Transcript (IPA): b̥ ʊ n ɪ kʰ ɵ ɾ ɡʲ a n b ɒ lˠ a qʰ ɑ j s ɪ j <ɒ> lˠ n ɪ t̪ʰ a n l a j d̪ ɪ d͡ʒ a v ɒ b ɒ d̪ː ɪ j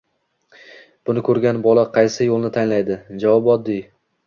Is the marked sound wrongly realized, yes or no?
yes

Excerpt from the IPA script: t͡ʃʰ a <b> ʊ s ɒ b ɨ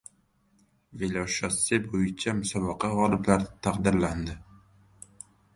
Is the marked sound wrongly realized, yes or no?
yes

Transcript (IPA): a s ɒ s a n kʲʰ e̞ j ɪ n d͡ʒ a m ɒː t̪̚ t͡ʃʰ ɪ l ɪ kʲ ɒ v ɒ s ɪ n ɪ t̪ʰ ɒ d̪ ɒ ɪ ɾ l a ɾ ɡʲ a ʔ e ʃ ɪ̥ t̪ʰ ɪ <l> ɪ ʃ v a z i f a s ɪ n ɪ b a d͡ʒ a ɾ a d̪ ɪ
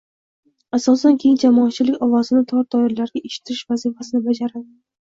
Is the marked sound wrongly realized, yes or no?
yes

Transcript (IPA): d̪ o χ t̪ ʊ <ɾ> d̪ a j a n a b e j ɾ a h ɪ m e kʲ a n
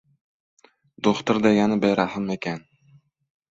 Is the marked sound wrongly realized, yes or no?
no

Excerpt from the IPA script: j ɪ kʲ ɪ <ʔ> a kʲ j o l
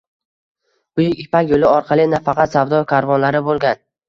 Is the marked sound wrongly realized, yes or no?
yes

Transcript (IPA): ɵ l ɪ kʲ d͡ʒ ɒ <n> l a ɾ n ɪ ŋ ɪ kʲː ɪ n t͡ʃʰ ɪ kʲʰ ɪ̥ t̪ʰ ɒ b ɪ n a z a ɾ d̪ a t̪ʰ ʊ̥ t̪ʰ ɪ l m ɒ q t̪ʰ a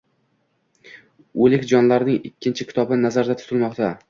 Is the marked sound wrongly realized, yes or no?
no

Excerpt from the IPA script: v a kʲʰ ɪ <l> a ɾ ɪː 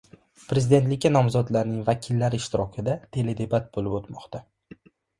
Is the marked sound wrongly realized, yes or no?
yes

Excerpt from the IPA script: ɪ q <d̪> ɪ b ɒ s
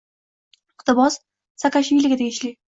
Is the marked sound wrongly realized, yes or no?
yes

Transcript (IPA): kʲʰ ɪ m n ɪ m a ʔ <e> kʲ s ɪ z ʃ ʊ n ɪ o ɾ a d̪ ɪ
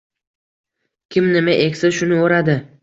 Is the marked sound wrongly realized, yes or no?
no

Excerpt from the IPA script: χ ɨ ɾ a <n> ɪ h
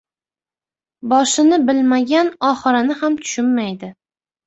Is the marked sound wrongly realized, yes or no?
no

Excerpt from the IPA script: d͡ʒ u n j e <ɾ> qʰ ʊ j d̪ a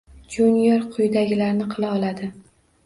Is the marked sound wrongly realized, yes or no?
no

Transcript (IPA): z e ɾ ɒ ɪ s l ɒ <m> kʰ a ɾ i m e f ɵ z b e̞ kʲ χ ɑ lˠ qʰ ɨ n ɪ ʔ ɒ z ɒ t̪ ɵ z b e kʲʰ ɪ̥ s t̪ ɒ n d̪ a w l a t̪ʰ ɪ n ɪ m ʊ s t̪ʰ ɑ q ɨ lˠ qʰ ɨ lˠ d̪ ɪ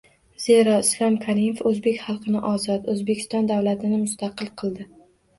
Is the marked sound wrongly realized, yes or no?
no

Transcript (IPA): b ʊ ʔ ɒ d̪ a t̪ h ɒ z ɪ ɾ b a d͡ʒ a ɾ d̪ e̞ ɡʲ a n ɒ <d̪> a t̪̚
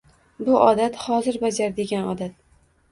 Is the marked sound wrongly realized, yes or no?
no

